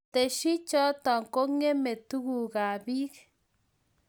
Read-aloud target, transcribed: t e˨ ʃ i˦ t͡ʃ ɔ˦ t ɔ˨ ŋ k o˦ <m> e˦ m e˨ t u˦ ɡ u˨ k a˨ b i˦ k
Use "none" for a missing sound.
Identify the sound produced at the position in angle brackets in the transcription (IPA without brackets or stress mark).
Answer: ŋ